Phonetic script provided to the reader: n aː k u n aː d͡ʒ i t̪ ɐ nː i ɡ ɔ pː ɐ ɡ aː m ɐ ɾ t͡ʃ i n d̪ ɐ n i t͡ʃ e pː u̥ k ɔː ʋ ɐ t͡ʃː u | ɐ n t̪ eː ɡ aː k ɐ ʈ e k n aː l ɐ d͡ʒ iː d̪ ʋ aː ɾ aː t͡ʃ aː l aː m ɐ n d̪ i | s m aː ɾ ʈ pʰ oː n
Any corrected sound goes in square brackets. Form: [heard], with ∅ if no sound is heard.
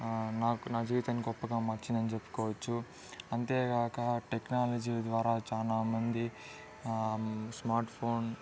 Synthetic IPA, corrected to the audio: n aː k u n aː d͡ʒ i t̪ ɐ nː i ɡ ɔ pː ɐ ɡ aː m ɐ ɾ t͡ʃ i n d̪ ɐ n i t͡ʃ e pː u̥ k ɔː ʋ ɐ t͡ʃː u | ɐ n t̪ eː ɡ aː k ɐ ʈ e k n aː l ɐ d͡ʒ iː d̪ ʋ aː ɾ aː t͡ʃ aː l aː m ɐ n d̪ i | s m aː ɾ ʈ pʰ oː n